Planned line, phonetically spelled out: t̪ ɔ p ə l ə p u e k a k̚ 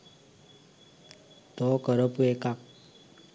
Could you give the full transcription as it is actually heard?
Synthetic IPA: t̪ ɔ k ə ɾ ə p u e k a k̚